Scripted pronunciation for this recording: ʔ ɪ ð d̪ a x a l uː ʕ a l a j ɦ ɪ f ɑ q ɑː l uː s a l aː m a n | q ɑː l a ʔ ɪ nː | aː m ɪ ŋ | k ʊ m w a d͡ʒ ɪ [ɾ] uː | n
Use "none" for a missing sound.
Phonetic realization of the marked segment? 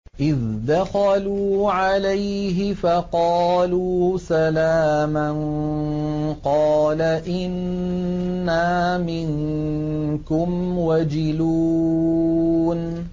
l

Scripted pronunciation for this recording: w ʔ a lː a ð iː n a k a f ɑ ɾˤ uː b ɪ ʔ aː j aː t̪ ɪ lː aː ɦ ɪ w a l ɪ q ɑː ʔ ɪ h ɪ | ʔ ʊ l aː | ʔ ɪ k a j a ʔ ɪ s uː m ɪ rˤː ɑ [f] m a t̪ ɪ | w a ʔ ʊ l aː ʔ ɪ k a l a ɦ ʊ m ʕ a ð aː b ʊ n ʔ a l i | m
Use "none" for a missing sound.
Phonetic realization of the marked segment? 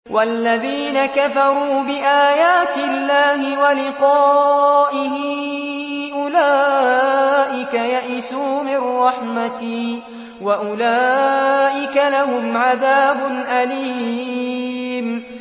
ħ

